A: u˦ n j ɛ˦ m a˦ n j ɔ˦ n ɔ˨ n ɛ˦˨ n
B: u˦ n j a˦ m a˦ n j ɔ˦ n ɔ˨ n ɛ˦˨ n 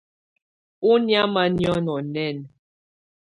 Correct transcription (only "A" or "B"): B